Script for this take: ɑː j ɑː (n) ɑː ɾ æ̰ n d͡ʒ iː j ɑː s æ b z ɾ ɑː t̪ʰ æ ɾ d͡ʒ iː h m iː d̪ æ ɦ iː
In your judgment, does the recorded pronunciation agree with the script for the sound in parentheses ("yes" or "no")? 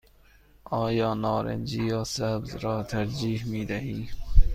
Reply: yes